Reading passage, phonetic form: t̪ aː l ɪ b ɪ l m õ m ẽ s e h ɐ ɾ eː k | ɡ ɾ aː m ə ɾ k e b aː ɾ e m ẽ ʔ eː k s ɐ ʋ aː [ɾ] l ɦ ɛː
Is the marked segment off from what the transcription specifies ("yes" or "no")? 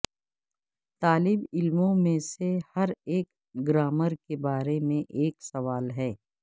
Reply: yes